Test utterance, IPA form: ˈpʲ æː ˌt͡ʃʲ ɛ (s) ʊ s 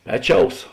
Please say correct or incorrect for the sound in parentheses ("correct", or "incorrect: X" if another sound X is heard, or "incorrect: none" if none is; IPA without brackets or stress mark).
incorrect: none